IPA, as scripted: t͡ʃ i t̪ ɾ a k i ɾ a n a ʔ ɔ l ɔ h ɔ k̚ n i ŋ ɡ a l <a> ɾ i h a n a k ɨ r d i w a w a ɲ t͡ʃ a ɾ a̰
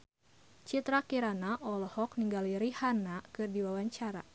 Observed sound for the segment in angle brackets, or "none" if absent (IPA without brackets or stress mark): i